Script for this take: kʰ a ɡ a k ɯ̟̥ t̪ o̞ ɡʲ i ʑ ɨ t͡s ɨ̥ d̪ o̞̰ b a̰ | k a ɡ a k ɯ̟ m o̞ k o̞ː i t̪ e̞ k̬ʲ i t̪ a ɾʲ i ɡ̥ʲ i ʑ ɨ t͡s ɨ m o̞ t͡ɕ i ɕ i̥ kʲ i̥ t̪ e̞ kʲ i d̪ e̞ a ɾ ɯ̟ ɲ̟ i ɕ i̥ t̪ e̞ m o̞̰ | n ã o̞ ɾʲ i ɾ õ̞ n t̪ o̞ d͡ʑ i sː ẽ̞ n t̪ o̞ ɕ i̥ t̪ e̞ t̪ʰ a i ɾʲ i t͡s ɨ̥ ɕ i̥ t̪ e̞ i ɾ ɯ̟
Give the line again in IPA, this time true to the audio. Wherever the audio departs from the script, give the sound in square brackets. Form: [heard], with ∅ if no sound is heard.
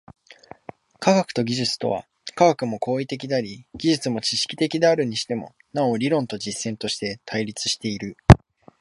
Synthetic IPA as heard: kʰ a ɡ a k ɯ̟̥ t̪ o̞ ɡʲ i ʑ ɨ t͡s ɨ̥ [t̪] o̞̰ [β] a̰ | k a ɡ a k ɯ̟ m o̞ k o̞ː i t̪ e̞ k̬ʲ i [d̪] a ɾʲ i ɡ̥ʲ i ʑ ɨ t͡s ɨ m o̞ t͡ɕ i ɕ i̥ kʲ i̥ t̪ e̞ kʲ i d̪ e̞ a ɾ ɯ̟ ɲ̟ i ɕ i̥ t̪ e̞ m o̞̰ | n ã o̞ ɾʲ i ɾ õ̞ n t̪ o̞ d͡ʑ i sː ẽ̞ n t̪ o̞ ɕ i̥ t̪ e̞ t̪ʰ a i ɾʲ i t͡s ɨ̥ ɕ i̥ t̪ e̞ i ɾ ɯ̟